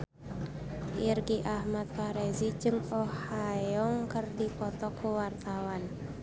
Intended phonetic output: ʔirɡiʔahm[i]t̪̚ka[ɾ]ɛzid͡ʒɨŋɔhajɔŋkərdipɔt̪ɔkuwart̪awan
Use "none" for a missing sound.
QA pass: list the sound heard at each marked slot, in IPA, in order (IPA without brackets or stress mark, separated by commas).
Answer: a, ɾ